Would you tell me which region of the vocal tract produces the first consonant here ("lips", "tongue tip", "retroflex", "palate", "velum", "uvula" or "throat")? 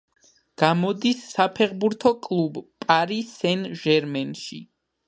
velum